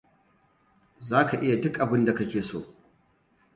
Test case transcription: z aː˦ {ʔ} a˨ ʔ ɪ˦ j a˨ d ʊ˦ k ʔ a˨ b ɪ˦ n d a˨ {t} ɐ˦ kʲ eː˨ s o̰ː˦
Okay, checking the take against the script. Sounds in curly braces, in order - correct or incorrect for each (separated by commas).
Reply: incorrect, incorrect